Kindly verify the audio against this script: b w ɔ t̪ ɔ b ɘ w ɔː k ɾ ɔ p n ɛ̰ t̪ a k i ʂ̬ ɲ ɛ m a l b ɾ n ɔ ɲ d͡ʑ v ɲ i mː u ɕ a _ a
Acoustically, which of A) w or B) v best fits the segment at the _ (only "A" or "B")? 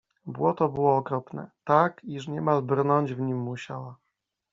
A